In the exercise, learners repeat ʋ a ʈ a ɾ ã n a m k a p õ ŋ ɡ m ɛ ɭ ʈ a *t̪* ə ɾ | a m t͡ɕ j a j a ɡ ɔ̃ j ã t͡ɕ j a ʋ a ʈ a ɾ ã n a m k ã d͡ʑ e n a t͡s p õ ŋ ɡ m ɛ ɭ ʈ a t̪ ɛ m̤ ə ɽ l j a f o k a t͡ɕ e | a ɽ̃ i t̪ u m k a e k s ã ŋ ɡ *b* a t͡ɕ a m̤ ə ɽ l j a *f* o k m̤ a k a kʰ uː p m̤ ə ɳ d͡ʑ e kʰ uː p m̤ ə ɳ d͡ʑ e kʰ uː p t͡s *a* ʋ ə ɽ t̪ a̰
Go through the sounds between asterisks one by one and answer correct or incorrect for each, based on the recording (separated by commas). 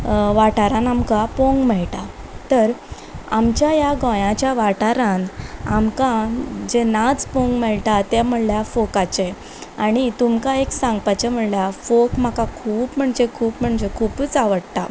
correct, incorrect, correct, correct